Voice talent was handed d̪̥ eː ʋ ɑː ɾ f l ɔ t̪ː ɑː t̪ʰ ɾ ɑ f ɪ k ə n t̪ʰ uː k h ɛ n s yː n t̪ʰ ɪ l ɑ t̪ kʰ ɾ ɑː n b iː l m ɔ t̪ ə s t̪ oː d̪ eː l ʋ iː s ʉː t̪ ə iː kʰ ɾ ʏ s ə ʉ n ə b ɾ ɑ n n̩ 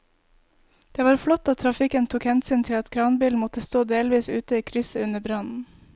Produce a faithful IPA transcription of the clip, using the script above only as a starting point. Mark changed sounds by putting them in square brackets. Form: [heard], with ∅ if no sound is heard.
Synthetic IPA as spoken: d̪̥ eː ʋ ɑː ɾ f l ɔ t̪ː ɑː t̪ʰ ɾ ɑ f ɪ k ə n t̪ʰ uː k h ɛ n s yː n t̪ʰ ɪ l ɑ t̪ kʰ ɾ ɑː n b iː l m ɔ t̪ ə s t̪ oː d̪ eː l ʋ iː s ʉː t̪ ə iː kʰ ɾ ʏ s ə ʉ n ə b ɾ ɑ n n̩